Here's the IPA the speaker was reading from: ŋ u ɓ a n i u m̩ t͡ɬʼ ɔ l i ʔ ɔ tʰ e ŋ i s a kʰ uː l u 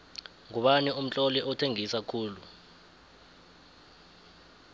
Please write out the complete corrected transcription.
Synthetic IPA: ŋ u ɓ a n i u m̩ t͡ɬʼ ɔ l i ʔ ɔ tʰ e ŋ i s a kʰ uː l u